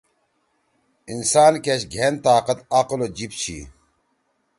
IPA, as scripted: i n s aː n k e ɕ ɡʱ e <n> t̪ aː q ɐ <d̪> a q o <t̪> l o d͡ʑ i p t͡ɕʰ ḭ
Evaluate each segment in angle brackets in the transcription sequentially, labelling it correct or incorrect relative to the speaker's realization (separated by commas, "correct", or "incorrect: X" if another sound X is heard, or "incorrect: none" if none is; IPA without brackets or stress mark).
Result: correct, incorrect: t̪, incorrect: none